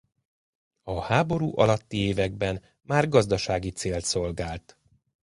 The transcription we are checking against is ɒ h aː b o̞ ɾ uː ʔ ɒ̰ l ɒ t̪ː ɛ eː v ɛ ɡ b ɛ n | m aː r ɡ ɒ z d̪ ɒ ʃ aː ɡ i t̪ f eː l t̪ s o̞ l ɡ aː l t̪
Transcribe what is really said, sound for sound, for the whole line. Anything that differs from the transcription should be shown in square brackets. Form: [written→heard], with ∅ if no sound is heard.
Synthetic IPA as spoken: ɒ h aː b o̞ ɾ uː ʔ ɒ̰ l ɒ t̪ː [ɛ→i] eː v ɛ ɡ b ɛ n | m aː r ɡ ɒ z d̪ ɒ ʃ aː ɡ i t̪ [f→s] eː l t̪ s o̞ l ɡ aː l t̪